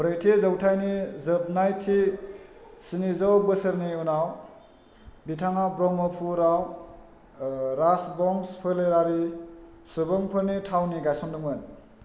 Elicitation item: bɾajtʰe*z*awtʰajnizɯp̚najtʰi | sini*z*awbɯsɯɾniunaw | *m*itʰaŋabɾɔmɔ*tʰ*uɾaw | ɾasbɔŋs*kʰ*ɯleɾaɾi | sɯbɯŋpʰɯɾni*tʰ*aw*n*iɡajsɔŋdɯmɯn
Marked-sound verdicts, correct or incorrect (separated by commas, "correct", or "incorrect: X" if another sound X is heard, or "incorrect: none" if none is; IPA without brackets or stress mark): correct, correct, incorrect: b, incorrect: pʰ, incorrect: pʰ, correct, correct